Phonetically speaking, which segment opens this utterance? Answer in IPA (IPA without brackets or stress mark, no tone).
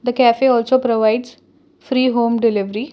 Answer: d̪